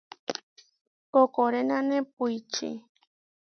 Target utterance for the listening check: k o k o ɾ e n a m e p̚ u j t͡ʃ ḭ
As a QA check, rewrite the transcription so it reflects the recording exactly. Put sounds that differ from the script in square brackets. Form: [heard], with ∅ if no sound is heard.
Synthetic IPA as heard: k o k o ɾ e n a [n] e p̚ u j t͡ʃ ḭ